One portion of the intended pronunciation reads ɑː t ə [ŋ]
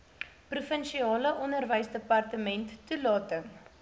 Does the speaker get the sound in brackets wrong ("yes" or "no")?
no